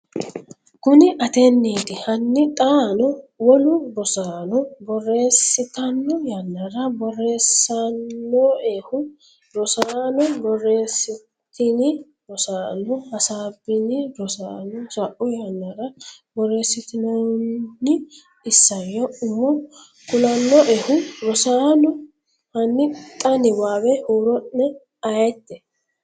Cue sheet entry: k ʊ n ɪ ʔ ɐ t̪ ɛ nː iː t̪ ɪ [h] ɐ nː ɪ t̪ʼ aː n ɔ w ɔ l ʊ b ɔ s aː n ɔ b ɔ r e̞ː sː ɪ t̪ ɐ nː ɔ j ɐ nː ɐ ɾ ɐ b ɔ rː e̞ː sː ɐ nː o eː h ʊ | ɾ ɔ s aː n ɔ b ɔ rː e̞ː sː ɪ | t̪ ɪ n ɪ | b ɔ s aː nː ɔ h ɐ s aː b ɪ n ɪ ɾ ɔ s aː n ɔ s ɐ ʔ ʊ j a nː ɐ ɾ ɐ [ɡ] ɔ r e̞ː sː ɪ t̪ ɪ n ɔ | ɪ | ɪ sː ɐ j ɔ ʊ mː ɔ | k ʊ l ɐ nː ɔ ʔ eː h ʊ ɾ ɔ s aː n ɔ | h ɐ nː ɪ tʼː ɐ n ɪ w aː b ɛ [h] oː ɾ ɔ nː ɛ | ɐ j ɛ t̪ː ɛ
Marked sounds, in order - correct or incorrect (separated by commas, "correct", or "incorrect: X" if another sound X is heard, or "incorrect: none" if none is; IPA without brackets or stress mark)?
correct, incorrect: b, correct